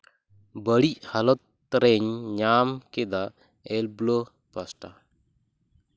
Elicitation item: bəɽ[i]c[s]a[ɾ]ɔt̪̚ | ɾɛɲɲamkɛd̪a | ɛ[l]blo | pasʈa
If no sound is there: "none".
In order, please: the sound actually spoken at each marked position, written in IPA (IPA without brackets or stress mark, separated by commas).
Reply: i, h, l, l